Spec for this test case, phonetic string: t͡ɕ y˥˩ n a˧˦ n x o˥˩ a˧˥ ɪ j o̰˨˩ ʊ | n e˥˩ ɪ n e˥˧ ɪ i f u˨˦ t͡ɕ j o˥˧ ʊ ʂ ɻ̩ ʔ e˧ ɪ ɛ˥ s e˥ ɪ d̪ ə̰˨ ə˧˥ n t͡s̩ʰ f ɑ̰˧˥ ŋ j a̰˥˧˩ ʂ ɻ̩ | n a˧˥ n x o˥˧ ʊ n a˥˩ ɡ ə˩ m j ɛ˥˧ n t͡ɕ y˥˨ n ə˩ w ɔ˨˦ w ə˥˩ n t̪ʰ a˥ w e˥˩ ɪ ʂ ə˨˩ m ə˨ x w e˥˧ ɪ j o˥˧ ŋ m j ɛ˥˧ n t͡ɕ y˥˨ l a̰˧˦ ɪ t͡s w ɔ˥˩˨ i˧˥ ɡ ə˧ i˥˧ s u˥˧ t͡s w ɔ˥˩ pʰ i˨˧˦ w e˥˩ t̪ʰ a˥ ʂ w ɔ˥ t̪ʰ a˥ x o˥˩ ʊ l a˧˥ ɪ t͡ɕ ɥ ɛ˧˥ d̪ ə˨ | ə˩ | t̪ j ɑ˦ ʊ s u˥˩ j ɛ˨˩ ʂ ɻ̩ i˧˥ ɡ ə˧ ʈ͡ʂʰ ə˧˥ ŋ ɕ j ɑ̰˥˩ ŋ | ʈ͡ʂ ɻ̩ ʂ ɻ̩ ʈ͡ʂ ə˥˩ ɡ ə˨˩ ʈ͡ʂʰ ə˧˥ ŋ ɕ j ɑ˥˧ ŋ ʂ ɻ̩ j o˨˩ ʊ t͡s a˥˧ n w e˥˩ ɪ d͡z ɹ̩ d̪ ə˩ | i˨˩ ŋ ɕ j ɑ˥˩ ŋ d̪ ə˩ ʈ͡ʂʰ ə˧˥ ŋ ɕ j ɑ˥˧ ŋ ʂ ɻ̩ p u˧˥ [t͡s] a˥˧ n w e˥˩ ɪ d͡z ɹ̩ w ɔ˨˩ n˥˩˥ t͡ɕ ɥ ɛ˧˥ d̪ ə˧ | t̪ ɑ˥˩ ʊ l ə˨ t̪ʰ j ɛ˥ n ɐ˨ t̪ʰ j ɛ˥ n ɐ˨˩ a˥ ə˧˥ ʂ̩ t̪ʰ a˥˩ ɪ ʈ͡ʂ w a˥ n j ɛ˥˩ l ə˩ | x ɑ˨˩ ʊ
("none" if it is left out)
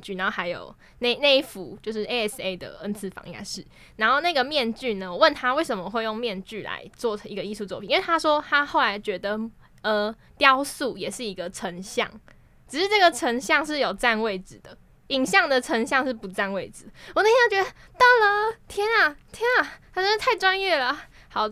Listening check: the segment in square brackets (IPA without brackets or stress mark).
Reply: t͡s